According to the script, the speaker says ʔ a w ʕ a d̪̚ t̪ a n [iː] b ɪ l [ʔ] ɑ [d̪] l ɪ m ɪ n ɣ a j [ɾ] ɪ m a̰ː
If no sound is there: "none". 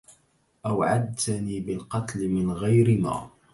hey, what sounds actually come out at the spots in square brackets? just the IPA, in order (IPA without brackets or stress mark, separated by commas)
iː, q, t̪, ɾ